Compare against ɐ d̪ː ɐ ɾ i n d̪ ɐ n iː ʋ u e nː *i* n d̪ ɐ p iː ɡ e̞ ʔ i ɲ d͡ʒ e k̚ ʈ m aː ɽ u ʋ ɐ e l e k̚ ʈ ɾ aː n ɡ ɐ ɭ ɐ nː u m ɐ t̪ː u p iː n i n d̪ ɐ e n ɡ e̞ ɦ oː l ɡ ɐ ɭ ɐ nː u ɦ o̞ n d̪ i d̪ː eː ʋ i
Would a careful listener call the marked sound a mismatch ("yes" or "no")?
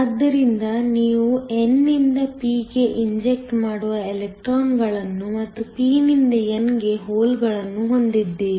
no